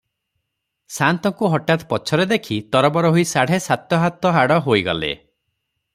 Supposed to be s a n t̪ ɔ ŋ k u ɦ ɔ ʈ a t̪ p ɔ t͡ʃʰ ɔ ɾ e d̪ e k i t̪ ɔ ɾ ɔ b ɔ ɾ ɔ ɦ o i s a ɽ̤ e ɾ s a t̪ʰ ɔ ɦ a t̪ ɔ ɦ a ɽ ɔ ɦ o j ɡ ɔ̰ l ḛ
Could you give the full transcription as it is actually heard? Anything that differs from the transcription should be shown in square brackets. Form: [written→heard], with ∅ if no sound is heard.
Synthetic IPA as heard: s a n t̪ ɔ ŋ k u ɦ ɔ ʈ a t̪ p ɔ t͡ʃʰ ɔ ɾ e d̪ e [k→kʰ] i t̪ ɔ ɾ ɔ b ɔ ɾ ɔ ɦ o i s a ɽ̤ e [ɾ→∅] s a [t̪ʰ→t̪] ɔ ɦ a t̪ ɔ ɦ a ɽ ɔ ɦ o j ɡ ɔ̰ l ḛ